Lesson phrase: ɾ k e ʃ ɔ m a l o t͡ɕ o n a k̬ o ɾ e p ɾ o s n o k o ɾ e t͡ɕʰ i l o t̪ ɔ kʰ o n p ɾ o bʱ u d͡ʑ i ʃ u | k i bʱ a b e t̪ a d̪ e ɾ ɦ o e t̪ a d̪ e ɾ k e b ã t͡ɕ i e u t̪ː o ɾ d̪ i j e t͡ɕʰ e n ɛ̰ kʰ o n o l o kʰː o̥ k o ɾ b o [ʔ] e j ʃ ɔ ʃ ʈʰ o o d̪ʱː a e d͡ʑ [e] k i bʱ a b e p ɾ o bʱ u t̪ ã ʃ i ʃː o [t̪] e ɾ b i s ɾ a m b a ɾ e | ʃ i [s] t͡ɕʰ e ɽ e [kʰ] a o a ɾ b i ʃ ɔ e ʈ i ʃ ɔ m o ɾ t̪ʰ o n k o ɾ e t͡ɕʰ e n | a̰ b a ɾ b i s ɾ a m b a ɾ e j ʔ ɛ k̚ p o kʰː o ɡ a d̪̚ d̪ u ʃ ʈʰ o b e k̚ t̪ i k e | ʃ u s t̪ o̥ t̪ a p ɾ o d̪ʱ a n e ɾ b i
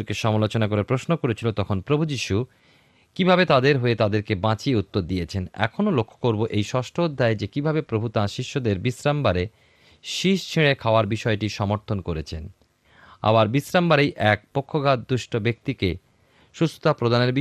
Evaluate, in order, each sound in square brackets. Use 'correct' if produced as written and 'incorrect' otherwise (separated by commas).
correct, correct, incorrect, incorrect, correct